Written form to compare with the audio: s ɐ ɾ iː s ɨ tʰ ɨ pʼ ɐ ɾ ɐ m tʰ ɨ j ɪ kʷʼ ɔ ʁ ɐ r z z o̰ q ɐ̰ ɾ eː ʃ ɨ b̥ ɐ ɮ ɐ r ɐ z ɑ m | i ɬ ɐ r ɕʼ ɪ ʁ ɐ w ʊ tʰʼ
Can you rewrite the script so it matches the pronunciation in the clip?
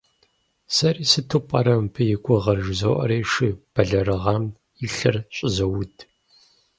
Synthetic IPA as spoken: s ɐ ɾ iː s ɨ tʰ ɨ pʼ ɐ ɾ ɐ m pʰ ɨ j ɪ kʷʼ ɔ ʁ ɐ r ʒ z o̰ ʔ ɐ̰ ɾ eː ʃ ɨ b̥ ɐ ɮ ɐ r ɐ ʁ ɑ m | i ɬ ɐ r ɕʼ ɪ z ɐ w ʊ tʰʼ